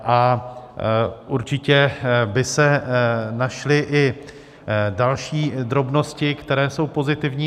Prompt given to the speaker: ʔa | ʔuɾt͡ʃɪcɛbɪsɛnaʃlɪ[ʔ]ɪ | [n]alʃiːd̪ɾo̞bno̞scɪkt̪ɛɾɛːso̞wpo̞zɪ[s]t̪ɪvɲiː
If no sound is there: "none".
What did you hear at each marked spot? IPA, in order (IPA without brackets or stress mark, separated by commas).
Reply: ʔ, d, none